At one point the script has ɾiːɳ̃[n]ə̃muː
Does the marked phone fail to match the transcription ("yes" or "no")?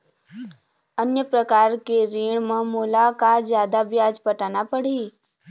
yes